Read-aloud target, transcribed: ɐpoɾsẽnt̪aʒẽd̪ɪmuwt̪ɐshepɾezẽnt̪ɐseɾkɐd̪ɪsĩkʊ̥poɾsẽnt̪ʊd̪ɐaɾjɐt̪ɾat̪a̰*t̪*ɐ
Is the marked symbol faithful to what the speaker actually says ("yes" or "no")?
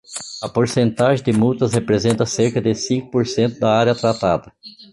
no